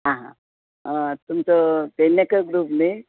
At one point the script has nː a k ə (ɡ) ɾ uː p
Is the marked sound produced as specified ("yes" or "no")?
yes